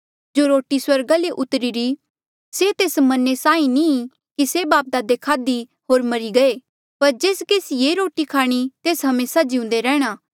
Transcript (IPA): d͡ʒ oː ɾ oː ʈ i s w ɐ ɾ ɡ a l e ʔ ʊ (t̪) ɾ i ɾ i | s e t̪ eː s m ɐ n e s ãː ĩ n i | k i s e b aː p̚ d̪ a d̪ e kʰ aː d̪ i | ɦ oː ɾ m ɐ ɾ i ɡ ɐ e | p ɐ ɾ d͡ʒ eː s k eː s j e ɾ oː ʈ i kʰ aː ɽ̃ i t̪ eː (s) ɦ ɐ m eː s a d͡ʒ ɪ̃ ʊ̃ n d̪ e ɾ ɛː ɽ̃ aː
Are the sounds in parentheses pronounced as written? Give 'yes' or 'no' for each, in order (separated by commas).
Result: yes, yes